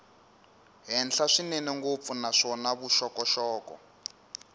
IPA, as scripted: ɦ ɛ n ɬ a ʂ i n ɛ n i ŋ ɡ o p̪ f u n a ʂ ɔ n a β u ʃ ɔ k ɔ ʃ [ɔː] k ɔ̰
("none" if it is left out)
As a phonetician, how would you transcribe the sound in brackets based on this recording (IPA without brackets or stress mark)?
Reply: ɔː